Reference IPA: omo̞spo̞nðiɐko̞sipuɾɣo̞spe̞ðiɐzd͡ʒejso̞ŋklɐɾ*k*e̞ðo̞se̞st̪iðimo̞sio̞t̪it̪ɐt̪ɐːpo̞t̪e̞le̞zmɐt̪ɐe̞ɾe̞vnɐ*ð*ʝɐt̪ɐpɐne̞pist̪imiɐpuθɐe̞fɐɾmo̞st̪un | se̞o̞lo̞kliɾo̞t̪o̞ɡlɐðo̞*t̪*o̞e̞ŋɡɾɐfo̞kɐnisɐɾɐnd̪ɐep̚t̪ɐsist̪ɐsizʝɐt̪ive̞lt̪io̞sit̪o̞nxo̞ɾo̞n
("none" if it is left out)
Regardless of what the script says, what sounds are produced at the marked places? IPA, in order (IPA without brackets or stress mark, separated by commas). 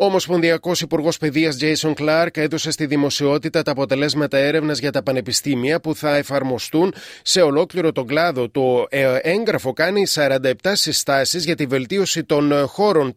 k, z, t̪